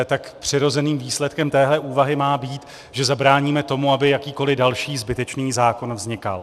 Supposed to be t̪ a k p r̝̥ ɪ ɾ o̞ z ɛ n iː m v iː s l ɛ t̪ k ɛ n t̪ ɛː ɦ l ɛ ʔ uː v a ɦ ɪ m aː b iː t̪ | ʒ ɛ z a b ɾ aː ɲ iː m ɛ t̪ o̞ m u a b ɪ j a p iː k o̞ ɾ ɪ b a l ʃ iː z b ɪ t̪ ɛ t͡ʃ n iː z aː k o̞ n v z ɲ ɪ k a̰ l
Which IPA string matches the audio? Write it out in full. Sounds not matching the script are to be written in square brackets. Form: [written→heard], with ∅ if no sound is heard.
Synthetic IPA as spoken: t̪ a k p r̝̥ ɪ ɾ o̞ z ɛ n iː m v iː s l ɛ t̪ k ɛ [n→m] t̪ ɛː ɦ l ɛ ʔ uː v a ɦ ɪ m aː b iː t̪ | ʒ ɛ z a b ɾ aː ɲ iː m ɛ t̪ o̞ m u a b ɪ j a [p→k] iː k o̞ [ɾ→l] ɪ [b→d] a l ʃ iː z b ɪ t̪ ɛ t͡ʃ n iː z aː k o̞ n v z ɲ ɪ k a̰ l